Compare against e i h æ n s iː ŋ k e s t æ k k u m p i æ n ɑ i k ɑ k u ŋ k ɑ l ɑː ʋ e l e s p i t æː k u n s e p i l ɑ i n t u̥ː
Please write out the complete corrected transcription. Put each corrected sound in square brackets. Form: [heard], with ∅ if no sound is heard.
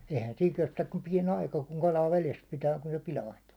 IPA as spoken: e i h æ n s iː ŋ k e s t æ k k u m p i [ɛ] n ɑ i k ɑ k u ŋ k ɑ l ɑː ʋ e l e s p i t æː k u n s e p i l ɑ i n t u̥ː